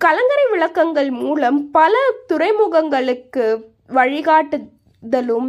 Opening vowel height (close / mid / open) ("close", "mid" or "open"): open